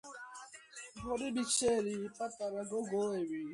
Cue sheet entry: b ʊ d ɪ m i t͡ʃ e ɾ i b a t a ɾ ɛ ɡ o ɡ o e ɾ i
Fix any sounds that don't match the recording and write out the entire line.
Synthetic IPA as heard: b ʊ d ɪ b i t͡ʃ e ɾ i p a t a ɾ a ɡ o ɡ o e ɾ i